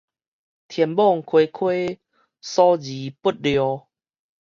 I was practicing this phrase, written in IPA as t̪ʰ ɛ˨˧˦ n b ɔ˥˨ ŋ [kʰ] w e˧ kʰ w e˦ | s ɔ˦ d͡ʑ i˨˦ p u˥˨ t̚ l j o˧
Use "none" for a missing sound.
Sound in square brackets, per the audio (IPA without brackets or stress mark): kʰ